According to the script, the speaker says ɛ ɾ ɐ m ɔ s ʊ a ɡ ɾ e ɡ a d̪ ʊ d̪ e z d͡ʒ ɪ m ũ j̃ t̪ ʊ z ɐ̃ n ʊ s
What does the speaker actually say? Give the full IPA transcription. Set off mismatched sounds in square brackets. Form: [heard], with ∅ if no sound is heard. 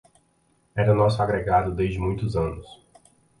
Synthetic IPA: ɛ ɾ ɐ [n] ɔ s ʊ a ɡ ɾ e ɡ a d̪ ʊ d̪ e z d͡ʒ ɪ m ũ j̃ t̪ ʊ z ɐ̃ n ʊ s